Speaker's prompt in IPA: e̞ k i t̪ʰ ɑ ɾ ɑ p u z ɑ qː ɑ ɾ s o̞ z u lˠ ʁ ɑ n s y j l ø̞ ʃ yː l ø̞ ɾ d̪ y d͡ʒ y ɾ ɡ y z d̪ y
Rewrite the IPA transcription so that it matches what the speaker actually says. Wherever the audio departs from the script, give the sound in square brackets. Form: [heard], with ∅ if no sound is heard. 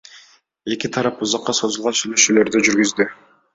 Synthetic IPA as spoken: e̞ k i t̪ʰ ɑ ɾ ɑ p u z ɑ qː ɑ [∅] s o̞ z u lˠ ʁ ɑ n s y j l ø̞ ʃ yː l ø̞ ɾ d̪ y d͡ʒ y ɾ ɡ y z d̪ y